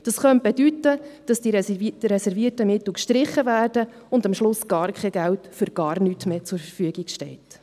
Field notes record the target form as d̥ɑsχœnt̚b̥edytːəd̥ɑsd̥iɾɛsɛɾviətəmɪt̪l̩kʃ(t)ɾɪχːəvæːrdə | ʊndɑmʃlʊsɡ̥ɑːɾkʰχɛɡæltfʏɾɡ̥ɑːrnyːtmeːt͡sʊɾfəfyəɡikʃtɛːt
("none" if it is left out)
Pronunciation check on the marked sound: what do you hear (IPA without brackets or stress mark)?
t